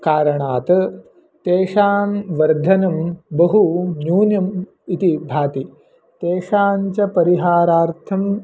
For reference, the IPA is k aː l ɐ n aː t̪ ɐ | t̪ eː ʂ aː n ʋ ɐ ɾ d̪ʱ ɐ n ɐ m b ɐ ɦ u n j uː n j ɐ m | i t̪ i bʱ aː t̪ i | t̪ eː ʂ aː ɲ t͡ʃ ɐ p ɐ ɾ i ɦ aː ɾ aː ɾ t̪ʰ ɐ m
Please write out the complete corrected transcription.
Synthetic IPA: k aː ɾ ɐ ɳ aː t̪ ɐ | t̪ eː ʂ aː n ʋ ɐ ɾ d̪ʱ ɐ n ɐ m b ɐ ɦ u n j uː n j ɐ m | i t̪ i bʱ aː t̪ i | t̪ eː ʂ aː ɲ t͡ʃ ɐ p ɐ ɾ i ɦ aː ɾ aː ɾ t̪ʰ ɐ m